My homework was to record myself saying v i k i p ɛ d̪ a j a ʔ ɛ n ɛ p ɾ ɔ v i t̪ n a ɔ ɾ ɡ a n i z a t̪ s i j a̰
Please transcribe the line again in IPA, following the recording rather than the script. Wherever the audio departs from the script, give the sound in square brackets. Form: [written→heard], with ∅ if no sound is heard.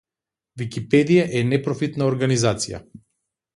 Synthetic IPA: v i k i p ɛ d̪ [a→i] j a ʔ ɛ n ɛ p ɾ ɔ [v→f] i t̪ n a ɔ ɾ ɡ a n i z a t̪ s i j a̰